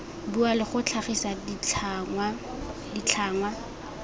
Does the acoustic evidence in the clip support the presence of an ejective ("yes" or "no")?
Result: no